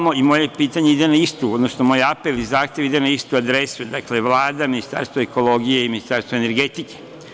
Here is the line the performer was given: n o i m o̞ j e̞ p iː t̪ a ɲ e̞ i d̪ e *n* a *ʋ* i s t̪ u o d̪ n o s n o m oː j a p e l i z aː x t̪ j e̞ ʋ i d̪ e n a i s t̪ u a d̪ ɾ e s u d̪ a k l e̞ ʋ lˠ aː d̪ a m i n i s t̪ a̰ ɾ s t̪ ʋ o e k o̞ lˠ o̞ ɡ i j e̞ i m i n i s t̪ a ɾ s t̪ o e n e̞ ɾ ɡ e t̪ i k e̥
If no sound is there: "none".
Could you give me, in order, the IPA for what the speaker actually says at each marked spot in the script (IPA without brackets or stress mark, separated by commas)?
n, none